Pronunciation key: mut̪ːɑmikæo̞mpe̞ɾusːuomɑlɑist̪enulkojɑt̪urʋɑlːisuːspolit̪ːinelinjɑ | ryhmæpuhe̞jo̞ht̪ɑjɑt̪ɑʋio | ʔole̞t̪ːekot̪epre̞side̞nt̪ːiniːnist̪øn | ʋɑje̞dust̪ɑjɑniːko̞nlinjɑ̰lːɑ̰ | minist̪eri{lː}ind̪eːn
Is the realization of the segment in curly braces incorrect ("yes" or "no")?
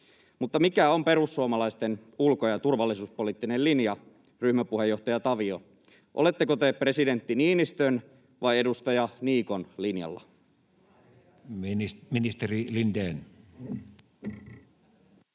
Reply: yes